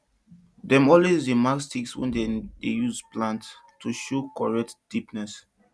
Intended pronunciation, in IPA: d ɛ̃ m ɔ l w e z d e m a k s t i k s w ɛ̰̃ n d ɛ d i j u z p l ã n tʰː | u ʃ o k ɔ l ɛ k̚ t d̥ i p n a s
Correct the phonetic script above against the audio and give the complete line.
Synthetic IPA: d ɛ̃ m ɔ l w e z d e m a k s t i k s w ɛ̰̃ n d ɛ d e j u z p l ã n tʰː | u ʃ o k ɔ ɹ ɛ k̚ t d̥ i p n ɛ s